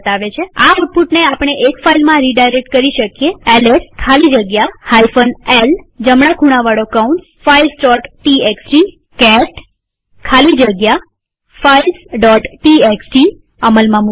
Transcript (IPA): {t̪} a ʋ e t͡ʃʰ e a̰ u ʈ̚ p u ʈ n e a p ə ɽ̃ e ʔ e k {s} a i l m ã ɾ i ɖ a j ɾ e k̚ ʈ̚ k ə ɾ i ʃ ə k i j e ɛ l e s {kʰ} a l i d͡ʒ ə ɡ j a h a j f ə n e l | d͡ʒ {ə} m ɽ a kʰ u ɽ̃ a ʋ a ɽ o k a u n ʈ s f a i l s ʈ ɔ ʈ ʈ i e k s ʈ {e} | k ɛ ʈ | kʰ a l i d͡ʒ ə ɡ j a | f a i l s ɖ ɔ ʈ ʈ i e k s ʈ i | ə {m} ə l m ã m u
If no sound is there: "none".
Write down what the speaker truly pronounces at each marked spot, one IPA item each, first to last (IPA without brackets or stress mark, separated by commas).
t̪, f, kʰ, ə, i, m